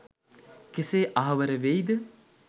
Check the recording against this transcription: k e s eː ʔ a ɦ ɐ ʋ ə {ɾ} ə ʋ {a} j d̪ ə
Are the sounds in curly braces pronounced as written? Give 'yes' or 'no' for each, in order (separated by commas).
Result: yes, no